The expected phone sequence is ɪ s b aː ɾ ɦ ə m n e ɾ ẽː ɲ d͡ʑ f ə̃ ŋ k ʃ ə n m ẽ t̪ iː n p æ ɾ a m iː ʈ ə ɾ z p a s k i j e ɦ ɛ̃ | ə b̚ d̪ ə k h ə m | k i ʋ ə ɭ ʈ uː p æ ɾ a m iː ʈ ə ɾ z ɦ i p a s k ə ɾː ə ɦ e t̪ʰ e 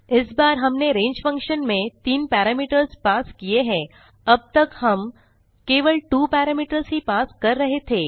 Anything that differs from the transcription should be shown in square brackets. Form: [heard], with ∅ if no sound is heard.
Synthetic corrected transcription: ɪ s b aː ɾ ɦ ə m n e ɾ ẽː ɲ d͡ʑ f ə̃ ŋ k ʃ ə n m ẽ t̪ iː n p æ ɾ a m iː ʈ ə ɾ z p a s k i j e ɦ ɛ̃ | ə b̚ [t̪] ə k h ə m | k [e] ʋ ə ɭ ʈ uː p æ ɾ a m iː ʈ ə ɾ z ɦ i p a s k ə ɾː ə ɦ e t̪ʰ e